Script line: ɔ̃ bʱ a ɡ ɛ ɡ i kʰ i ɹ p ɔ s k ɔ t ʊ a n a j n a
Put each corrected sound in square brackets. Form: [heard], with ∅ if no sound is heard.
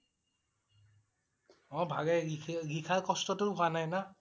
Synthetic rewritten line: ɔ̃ bʱ a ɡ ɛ ɡ i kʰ [a] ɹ [k] ɔ s [t] ɔ t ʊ a n a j n a

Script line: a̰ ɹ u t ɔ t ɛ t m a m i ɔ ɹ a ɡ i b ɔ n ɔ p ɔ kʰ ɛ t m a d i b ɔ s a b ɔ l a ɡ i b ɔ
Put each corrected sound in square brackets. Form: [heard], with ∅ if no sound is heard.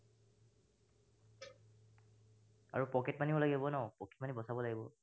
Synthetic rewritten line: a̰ ɹ u [p] ɔ [k] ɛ t m a [n] i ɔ [l] a ɡ i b ɔ n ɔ p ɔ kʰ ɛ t m a [n] i b ɔ s a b ɔ l a ɡ i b ɔ

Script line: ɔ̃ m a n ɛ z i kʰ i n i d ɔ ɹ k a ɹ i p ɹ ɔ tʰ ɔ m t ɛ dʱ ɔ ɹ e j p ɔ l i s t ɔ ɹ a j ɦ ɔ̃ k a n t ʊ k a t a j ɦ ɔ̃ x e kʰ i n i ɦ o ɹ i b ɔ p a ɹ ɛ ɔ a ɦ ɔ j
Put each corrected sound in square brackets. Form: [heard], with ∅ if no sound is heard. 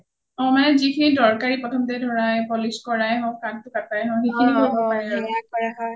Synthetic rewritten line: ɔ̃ m a n ɛ z i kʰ i n i d ɔ ɹ k a ɹ i p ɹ ɔ tʰ ɔ m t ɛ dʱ ɔ ɹ [a] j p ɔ l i s [k] ɔ ɹ a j ɦ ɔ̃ k a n t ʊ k a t a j ɦ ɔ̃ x e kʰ i n i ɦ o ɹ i b ɔ p a ɹ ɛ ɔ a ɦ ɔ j

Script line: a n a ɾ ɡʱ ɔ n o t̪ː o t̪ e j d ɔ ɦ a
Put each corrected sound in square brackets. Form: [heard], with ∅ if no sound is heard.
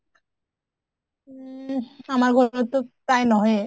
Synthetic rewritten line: a [m] a ɾ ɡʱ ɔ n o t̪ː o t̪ [a] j [n] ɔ ɦ [e]

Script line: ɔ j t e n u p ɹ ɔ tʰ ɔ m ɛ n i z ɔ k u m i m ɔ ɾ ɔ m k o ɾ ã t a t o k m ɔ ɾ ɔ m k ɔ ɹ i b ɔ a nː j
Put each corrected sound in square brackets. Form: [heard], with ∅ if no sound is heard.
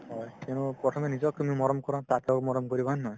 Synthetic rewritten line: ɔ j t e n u p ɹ ɔ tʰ ɔ m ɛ n i z ɔ k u m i m ɔ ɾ ɔ m k [ɔ] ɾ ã t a t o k m ɔ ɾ ɔ m k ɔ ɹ i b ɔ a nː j

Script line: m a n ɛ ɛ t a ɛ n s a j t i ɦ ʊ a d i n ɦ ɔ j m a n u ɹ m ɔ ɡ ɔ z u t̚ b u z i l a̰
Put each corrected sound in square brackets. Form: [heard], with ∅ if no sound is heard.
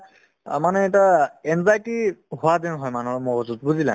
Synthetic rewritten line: m a n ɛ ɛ t a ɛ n [z] a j t i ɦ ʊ a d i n ɦ ɔ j m a n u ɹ m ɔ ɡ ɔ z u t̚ b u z i l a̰

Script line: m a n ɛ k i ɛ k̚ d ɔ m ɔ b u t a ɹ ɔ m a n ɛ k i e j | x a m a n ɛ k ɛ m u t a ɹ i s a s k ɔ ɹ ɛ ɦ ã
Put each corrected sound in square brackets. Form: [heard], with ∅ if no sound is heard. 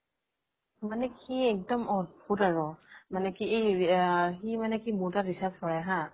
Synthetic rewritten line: m a n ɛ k i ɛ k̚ d ɔ m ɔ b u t a ɹ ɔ m a n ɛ k i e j | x [i] m a n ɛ k [i] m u t a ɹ i s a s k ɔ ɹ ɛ ɦ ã

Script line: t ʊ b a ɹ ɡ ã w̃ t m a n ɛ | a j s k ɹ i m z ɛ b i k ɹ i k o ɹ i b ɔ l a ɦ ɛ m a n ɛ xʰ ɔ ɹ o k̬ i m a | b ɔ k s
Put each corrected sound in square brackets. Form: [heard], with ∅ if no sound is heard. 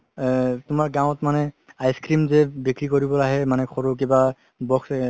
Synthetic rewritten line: t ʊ [m] a ɹ ɡ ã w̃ t m a n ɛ | a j s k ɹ i m z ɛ b i k ɹ i k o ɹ i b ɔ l a ɦ ɛ m a n ɛ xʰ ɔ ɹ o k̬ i [b] a | b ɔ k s

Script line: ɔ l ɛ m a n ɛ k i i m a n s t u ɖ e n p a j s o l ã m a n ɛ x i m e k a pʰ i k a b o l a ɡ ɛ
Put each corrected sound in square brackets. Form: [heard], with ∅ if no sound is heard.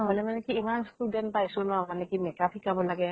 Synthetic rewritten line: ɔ l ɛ m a n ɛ k i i m a n s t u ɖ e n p a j s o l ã m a n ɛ [k] i m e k a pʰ i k a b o l a ɡ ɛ

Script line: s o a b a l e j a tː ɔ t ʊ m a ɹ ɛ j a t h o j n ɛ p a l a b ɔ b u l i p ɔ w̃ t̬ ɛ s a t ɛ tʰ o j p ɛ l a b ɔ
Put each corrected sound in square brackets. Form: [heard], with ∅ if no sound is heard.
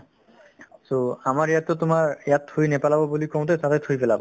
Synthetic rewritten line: s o a [m] a [ɹ] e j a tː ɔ t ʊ m a ɹ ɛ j a t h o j n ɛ p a l a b ɔ b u l i [k] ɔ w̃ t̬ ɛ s a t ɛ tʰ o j p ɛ l a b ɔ

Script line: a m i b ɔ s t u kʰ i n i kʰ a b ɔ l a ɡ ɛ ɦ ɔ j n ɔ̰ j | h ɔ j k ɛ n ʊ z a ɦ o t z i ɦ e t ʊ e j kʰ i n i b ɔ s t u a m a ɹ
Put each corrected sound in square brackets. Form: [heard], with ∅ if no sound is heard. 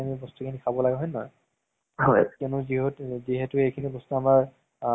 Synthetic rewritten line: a m i b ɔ s t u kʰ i n i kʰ a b ɔ l a ɡ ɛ ɦ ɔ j n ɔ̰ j | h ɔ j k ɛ n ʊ z [i] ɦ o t z i ɦ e t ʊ e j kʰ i n i b ɔ s t u a m a ɹ

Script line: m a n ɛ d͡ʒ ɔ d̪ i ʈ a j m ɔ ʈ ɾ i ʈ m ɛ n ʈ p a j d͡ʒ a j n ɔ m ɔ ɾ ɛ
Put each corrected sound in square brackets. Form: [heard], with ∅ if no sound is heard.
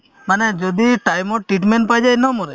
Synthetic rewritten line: m a n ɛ d͡ʒ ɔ d̪ i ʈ a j m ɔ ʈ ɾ i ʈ m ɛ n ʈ p a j d͡ʒ a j n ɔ m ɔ ɾ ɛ

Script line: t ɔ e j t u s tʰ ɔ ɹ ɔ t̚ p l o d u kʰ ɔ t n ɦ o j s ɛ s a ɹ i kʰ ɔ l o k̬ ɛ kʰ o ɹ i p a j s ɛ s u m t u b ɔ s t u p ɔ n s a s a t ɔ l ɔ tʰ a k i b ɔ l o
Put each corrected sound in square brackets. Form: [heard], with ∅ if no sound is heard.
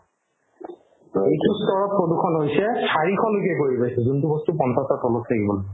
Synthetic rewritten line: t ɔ e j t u s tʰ ɔ ɹ ɔ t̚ p [ɹ] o d u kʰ ɔ [∅] n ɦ o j s ɛ s a ɹ i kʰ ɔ l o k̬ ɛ [k] o ɹ i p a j s ɛ [z] u [n] t u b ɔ s t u p ɔ n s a s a t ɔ l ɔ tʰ a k i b ɔ l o

